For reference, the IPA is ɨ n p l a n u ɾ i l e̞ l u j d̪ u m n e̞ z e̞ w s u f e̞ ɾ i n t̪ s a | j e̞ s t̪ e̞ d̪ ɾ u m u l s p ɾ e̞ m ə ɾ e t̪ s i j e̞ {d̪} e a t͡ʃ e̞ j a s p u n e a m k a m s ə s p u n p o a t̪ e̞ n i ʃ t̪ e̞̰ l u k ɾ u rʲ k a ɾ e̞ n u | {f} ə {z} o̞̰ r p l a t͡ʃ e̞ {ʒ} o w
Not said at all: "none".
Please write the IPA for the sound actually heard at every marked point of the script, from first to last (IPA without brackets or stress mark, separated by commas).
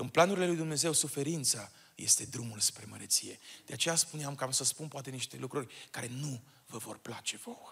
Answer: d̪, v, v, v